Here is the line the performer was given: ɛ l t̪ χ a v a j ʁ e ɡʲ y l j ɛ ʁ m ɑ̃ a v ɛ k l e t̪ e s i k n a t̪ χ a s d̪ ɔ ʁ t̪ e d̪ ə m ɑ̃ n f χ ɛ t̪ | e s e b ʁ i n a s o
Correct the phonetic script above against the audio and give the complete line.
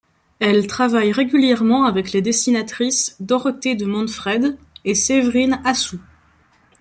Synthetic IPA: ɛ l t̪ χ a v a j ʁ e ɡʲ y l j ɛ ʁ m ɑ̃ a v ɛ k l e d̪ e s i n a t̪ χ i s d̪ ɔ ʁ t̪ e d̪ ə m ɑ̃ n f χ ɛ d̪ | e s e v ʁ i n a s u